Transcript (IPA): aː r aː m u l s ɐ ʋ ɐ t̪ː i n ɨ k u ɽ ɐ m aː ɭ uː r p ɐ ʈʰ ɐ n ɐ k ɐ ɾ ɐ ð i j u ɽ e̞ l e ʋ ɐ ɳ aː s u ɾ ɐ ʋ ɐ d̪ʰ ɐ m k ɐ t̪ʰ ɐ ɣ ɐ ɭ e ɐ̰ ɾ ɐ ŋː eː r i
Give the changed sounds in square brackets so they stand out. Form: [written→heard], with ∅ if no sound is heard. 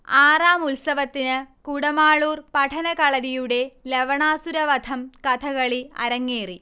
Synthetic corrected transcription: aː r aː m u l s ɐ ʋ ɐ t̪ː i n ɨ k u ɽ ɐ m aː ɭ uː r p ɐ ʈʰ ɐ n ɐ k ɐ [ɾ→ɭ] ɐ ð i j u ɽ e̞ l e ʋ ɐ ɳ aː s u ɾ ɐ ʋ ɐ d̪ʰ ɐ m k ɐ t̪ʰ ɐ ɣ ɐ ɭ [e→i] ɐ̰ ɾ ɐ ŋː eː r i